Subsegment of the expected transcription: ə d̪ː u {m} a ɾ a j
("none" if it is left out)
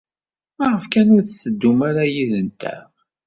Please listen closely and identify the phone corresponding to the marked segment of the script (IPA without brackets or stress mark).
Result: m